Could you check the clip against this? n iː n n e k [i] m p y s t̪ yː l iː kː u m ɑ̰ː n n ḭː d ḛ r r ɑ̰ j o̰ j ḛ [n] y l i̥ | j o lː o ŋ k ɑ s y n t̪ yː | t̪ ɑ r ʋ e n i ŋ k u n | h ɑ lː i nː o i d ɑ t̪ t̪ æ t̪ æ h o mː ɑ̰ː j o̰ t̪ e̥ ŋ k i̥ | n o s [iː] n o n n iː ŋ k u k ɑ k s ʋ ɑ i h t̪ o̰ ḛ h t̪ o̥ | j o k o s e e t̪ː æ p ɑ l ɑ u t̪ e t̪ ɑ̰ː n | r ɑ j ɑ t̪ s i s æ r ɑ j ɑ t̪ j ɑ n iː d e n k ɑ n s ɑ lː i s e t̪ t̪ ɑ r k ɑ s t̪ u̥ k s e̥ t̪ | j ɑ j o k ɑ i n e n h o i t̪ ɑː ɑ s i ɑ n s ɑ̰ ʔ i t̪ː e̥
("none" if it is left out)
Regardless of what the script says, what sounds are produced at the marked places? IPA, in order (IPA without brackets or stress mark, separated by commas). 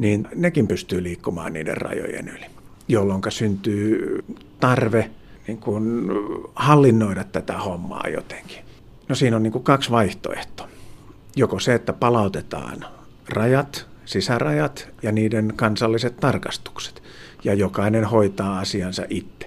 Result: i, n, iː